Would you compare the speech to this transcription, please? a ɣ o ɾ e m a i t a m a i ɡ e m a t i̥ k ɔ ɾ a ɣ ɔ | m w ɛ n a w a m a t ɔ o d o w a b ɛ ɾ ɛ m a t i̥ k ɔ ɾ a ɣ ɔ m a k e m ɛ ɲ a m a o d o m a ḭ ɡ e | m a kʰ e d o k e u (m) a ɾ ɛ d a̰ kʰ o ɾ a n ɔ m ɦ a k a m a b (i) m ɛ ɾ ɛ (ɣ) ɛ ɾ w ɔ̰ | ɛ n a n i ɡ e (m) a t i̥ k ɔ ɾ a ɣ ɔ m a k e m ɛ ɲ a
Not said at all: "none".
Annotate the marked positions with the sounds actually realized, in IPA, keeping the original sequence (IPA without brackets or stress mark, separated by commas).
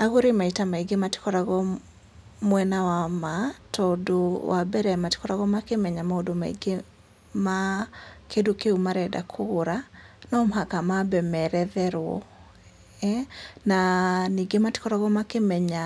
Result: m, ɛ, ð, m